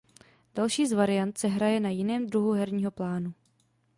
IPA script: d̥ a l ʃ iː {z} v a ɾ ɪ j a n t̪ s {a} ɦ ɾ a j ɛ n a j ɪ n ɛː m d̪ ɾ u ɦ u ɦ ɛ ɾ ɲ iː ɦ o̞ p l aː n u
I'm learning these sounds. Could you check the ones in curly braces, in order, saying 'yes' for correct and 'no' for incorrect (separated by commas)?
yes, no